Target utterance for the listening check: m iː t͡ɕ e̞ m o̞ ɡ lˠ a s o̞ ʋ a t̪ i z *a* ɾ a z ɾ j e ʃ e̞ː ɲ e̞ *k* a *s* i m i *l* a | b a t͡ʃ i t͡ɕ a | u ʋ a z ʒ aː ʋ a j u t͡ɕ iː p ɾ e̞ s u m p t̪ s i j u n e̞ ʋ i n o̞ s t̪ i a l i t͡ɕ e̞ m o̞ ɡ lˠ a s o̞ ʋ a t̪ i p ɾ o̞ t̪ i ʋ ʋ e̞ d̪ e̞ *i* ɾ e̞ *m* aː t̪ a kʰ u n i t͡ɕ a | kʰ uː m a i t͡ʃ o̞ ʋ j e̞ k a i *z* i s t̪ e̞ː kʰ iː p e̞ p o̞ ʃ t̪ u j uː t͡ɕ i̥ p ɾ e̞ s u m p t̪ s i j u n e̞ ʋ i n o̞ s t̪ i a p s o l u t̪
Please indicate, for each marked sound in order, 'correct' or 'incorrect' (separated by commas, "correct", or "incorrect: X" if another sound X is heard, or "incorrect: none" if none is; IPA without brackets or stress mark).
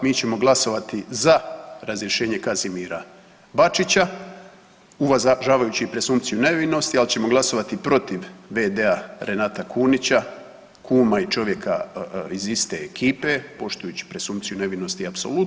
correct, correct, incorrect: z, incorrect: ɾ, incorrect: a, incorrect: n, correct